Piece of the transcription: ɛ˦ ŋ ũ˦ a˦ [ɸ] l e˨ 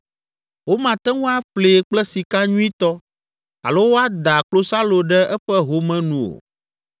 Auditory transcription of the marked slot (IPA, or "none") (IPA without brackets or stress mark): ɸ